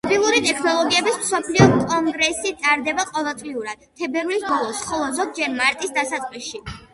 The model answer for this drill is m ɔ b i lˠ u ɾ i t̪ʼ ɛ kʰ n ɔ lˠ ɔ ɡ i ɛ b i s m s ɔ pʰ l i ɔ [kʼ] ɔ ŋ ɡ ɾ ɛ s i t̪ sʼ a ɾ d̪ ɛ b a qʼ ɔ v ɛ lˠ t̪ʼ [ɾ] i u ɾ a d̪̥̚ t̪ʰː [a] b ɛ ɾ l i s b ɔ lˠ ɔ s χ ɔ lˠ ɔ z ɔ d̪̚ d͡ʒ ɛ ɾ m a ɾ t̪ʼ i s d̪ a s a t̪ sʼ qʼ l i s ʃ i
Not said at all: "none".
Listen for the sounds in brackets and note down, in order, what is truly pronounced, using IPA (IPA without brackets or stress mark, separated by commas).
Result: kʼ, l, ɛ